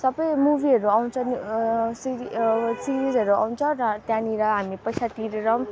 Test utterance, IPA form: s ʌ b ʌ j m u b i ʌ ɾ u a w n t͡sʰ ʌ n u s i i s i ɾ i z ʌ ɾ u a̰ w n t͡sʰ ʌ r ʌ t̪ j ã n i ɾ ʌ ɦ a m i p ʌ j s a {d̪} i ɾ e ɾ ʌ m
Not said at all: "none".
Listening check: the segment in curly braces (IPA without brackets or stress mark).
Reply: t̪